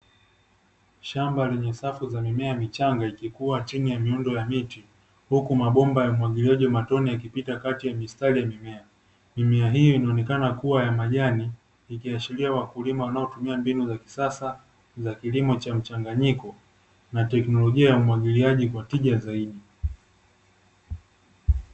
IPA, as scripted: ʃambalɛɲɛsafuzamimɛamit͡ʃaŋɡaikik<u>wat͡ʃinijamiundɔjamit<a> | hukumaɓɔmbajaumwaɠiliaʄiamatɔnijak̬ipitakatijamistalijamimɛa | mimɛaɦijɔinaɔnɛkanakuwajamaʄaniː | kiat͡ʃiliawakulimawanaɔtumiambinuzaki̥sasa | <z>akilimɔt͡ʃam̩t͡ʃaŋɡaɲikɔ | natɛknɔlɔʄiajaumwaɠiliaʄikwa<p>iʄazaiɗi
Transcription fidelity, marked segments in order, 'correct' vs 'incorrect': correct, incorrect: i, correct, incorrect: t

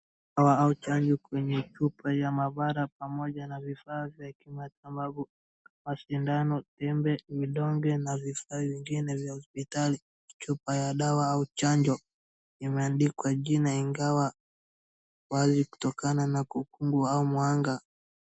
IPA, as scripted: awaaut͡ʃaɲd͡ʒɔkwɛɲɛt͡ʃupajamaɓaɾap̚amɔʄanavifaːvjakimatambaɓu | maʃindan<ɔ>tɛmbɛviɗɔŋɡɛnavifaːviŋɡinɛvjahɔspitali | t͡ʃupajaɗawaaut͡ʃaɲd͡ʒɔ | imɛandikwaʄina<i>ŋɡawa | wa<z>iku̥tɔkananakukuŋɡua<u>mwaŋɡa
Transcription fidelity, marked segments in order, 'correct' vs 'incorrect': correct, correct, correct, correct

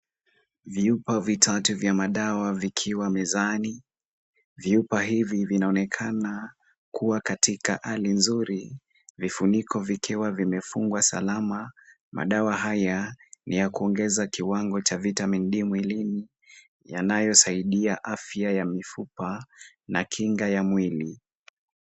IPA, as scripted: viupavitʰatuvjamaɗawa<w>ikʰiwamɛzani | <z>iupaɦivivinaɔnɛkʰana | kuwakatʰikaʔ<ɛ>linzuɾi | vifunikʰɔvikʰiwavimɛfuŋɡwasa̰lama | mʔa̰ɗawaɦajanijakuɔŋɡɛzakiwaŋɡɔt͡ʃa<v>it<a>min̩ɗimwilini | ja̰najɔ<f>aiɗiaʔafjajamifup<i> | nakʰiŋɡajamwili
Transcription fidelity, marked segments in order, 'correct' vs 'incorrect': incorrect: v, incorrect: v, incorrect: a, correct, correct, incorrect: s, incorrect: a

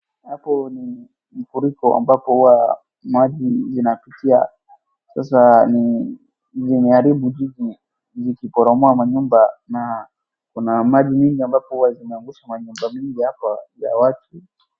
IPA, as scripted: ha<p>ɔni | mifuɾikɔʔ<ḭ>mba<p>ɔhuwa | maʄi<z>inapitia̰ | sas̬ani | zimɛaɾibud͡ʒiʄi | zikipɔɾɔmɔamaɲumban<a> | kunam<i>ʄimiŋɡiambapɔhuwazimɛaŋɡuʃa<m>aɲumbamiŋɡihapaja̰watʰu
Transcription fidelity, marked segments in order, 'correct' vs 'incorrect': correct, incorrect: a̰, correct, correct, correct, incorrect: a, correct

